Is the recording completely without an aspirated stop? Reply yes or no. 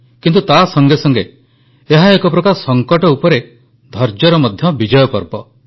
yes